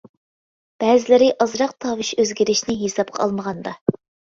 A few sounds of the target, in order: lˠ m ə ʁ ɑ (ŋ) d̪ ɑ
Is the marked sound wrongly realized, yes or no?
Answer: yes